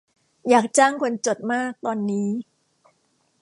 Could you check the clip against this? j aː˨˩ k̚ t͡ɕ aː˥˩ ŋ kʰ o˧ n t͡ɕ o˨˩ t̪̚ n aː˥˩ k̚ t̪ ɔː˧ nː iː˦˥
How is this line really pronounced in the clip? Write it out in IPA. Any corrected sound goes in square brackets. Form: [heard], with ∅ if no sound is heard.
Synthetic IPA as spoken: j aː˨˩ k̚ t͡ɕ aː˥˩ ŋ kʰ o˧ n t͡ɕ o˨˩ t̪̚ [m] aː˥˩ k̚ t̪ ɔː˧ nː iː˦˥